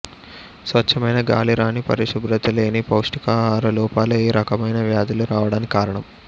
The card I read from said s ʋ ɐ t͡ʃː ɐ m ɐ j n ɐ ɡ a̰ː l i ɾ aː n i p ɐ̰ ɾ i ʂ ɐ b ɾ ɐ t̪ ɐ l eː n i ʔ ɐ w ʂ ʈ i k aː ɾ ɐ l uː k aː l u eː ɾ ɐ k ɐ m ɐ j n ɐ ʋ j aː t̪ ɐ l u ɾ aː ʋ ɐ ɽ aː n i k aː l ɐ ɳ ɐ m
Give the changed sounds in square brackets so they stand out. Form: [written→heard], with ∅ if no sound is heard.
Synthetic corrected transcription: s ʋ ɐ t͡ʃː ɐ m ɐ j n ɐ ɡ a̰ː l i ɾ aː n i p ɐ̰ ɾ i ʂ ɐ b ɾ ɐ t̪ ɐ l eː n i [ʔ→p] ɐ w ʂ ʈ i k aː ɾ ɐ l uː [k→p] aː l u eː ɾ ɐ k ɐ m ɐ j n ɐ ʋ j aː [t̪→d̪] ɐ l u ɾ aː ʋ ɐ ɽ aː n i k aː [l→ɾ] ɐ ɳ ɐ m

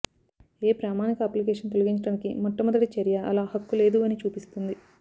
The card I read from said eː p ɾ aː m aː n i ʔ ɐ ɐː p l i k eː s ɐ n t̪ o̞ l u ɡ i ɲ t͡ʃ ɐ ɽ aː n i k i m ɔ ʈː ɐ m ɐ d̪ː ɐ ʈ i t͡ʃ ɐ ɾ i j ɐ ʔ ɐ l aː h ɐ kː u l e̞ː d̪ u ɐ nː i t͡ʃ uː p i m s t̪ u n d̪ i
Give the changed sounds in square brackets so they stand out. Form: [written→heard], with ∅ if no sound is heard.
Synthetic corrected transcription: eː p ɾ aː m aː n i [ʔ→k] ɐ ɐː p l i k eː [s→ʂ] ɐ n t̪ o̞ l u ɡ i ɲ t͡ʃ ɐ ɽ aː n i k i m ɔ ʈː ɐ m ɐ [d̪ː→d̪] ɐ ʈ i t͡ʃ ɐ ɾ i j ɐ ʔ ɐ l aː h ɐ kː u l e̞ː d̪ u ɐ [nː→n] i t͡ʃ uː p i [m→∅] s t̪ u n d̪ i

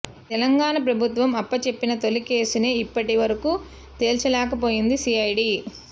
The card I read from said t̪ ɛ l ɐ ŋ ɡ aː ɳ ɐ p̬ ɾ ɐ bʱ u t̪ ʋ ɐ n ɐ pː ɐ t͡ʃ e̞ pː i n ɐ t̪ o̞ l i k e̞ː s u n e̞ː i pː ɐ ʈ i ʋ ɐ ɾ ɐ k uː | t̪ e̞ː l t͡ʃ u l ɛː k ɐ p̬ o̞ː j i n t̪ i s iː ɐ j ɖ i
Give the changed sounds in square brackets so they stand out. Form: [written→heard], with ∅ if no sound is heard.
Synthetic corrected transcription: t̪ ɛ l ɐ ŋ ɡ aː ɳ ɐ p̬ ɾ ɐ bʱ u t̪ ʋ ɐ [n→m] ɐ pː ɐ t͡ʃ e̞ pː i n ɐ t̪ o̞ l i k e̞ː s u n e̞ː i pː ɐ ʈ i ʋ ɐ ɾ ɐ k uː | t̪ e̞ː l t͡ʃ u l ɛː k ɐ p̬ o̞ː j i n [t̪→d̪] i s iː ɐ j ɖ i

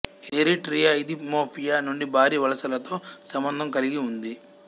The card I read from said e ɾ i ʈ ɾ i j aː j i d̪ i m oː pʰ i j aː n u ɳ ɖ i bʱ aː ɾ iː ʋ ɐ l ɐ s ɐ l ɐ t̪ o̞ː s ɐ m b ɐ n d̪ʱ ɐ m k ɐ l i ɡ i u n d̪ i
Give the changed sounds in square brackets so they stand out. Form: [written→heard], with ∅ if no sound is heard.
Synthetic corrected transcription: e ɾ i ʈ ɾ i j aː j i d̪ i m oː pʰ i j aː n u ɳ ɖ i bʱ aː ɾ iː ʋ ɐ l ɐ s ɐ l ɐ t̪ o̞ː s ɐ m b ɐ n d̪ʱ ɐ m k ɐ l i ɡ i u n d̪ i

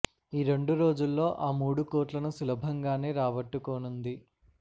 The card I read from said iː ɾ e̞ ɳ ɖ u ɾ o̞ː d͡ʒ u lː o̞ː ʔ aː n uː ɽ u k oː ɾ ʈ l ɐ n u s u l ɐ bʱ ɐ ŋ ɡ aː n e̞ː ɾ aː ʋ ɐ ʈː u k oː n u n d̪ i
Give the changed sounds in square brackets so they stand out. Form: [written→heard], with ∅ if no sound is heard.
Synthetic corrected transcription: iː ɾ e̞ ɳ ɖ u ɾ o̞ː d͡ʒ u lː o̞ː ʔ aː [n→m] uː ɽ u k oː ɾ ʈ l ɐ n u s u l ɐ bʱ ɐ ŋ ɡ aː n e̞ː ɾ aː ʋ ɐ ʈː u k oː n u n d̪ i

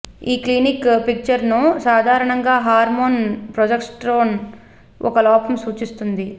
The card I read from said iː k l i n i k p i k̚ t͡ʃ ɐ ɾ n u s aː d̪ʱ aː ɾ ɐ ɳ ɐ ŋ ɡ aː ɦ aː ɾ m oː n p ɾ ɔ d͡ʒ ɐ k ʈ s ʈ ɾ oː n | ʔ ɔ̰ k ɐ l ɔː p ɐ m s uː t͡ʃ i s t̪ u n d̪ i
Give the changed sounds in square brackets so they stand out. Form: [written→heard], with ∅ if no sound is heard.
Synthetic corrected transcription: iː k l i n i k p i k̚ t͡ʃ ɐ ɾ n u s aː d̪ʱ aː ɾ ɐ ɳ ɐ ŋ ɡ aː ɦ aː ɾ m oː n p ɾ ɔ d͡ʒ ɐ k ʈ s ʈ ɾ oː n | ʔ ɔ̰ k ɐ l ɔː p ɐ m s uː t͡ʃ i s t̪ u n d̪ i

